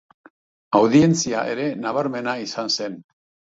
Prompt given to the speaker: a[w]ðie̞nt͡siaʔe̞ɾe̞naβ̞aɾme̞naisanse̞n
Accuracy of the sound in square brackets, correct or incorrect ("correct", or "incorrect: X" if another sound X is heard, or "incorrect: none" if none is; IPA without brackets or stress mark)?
correct